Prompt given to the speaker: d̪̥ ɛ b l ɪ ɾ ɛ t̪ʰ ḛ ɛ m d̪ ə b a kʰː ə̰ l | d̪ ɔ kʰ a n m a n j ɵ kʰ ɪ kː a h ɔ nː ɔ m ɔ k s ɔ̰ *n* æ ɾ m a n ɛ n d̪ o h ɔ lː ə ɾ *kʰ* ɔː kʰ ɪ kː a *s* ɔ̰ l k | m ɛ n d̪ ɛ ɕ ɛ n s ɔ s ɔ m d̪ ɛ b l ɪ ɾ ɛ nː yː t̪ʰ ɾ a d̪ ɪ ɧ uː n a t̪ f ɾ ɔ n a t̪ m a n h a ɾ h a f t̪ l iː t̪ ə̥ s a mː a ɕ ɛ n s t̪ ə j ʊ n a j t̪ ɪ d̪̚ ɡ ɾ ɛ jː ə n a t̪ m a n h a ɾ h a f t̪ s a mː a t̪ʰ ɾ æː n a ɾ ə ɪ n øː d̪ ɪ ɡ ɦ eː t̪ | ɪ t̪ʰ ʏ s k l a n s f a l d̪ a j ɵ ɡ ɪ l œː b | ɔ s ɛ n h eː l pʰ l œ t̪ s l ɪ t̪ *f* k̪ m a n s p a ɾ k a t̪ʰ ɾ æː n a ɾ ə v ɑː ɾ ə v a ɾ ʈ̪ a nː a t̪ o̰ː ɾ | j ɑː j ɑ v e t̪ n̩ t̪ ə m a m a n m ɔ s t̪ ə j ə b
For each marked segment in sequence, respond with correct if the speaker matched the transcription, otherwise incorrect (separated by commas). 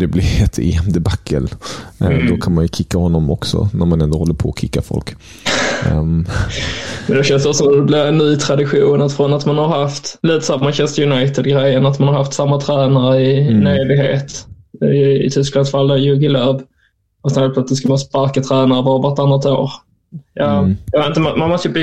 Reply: correct, incorrect, incorrect, incorrect